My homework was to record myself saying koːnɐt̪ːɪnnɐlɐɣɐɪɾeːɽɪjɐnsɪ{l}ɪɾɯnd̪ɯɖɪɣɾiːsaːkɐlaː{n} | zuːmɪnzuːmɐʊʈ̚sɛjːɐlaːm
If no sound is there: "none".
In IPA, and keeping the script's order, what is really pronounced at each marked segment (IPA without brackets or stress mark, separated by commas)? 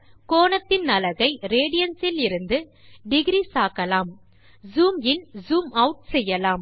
l, m